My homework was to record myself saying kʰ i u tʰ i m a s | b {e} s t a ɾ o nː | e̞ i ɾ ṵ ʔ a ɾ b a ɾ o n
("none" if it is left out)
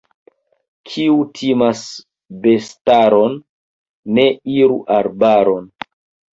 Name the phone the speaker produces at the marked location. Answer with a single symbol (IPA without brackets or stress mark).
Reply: e